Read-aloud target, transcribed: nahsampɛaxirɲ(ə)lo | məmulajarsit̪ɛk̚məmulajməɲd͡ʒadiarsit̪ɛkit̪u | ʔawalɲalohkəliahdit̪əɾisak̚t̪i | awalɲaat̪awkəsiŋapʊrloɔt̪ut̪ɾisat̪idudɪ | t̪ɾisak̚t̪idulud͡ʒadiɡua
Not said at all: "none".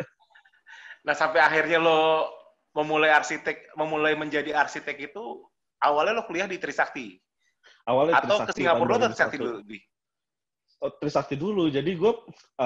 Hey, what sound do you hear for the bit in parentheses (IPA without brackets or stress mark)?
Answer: a